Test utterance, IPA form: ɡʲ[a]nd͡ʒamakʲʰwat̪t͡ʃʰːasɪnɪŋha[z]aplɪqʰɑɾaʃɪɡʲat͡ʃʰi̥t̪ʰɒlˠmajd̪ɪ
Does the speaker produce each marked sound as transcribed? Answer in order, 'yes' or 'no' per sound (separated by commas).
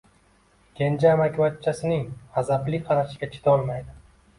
no, yes